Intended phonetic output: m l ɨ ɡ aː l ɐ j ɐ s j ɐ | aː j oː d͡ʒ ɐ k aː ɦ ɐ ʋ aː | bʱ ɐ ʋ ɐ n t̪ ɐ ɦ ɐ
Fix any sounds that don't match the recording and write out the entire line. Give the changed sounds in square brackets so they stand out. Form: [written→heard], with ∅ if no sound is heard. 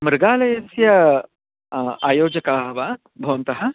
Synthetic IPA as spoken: m [l→ɾ] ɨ ɡ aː l ɐ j ɐ s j ɐ | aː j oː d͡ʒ ɐ k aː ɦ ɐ ʋ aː | bʱ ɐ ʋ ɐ n t̪ ɐ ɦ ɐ